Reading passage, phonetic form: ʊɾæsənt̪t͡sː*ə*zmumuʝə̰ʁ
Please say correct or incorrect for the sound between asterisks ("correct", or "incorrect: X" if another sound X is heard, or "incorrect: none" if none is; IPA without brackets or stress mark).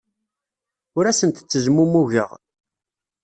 correct